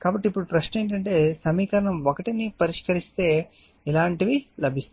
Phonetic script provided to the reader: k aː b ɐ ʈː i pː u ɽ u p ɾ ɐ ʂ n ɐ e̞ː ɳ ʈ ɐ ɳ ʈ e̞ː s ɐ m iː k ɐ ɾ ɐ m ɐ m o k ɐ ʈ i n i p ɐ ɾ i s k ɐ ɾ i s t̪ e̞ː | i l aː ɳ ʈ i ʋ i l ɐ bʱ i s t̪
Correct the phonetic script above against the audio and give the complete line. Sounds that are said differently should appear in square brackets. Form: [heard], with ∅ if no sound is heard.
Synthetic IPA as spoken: k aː b ɐ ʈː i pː u ɽ u p ɾ ɐ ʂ n ɐ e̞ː ɳ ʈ ɐ ɳ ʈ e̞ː s ɐ m iː k ɐ ɾ ɐ [ɳ] ɐ m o k ɐ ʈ i n i p ɐ ɾ i [ʂ] k ɐ ɾ i s t̪ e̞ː | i l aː ɳ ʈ i ʋ i l ɐ bʱ i s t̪